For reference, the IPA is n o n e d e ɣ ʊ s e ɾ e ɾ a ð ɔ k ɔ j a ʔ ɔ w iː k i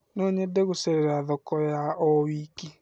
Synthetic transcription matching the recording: n o ɲ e d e ɣ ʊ s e ɾ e ɾ a ð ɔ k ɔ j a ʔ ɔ w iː k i